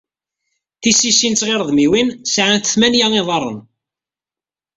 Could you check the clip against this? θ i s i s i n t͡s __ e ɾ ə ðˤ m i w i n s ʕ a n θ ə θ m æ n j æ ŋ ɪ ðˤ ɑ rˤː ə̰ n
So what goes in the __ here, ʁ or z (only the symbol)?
ʁ